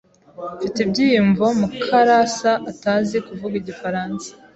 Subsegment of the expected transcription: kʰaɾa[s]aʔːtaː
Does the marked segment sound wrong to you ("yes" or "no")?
no